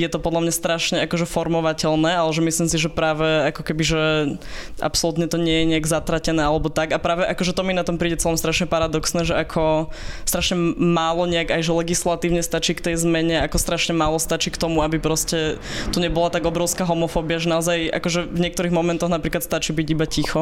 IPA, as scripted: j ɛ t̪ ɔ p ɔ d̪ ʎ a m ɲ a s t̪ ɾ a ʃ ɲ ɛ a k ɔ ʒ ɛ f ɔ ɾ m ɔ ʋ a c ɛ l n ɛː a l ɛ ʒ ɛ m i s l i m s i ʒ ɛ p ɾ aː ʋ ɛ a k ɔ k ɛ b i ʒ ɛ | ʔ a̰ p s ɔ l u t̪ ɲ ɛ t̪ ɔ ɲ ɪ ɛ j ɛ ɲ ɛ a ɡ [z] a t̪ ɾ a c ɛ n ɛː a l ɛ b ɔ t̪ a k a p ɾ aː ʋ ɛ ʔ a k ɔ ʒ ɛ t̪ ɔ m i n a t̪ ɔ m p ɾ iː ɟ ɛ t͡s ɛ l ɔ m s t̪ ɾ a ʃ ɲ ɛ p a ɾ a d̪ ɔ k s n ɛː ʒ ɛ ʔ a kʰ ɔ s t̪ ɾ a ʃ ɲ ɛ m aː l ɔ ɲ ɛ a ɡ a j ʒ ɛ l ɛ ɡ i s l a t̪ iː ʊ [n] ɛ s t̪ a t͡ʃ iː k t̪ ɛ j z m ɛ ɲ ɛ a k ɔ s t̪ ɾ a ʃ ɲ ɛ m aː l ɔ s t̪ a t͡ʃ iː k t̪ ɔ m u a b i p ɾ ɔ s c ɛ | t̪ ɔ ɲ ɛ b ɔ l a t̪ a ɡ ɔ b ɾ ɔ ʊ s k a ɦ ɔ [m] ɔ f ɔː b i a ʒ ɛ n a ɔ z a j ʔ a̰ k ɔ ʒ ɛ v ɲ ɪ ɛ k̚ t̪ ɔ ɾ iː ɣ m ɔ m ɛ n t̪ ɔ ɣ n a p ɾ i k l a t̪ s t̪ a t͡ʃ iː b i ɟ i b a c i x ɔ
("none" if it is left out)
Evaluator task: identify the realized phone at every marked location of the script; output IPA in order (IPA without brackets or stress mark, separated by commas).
z, ɲ, m